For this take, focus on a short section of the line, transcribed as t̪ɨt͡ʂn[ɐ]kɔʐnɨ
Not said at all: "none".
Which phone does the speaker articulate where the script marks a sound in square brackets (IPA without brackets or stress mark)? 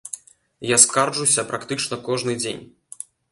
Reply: ɐ